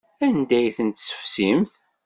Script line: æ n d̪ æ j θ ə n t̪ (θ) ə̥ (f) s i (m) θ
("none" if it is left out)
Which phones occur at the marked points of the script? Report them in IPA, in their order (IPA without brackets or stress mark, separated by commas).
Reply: s, f, m